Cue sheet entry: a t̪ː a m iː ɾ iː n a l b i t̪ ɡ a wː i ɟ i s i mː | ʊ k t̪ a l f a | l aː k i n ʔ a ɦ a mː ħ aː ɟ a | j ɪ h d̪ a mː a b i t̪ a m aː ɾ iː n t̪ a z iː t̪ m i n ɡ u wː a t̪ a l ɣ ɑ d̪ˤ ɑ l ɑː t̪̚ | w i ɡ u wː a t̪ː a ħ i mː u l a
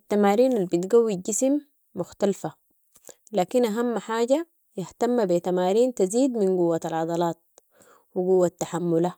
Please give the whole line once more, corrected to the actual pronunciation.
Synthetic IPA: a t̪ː a m aː ɾ iː n a l b i t̪ ɡ a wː i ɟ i s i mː | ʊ x t̪ a l f a | l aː k i n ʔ a ɦ a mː ħ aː ɟ a | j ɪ h t̪ a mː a b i t̪ a m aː ɾ iː n t̪ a z iː d̪ m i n ɡ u wː a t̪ a l ʕ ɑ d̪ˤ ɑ l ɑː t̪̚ | w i ɡ u wː a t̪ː a ħ a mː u l a